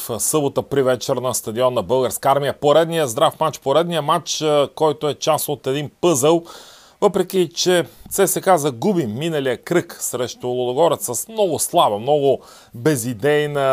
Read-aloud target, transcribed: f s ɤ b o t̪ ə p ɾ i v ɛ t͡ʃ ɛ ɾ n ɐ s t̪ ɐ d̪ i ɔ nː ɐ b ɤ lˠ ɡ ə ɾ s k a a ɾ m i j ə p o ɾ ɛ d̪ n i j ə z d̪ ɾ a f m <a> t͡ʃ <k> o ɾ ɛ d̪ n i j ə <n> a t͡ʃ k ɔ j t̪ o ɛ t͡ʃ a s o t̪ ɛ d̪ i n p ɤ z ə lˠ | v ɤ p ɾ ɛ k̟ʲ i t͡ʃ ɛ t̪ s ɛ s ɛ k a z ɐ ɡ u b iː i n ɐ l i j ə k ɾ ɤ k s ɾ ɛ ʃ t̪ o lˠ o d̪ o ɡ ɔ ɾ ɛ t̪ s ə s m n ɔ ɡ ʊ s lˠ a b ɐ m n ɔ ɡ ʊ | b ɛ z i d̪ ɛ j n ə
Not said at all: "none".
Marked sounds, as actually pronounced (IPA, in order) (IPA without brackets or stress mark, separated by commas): a, p, m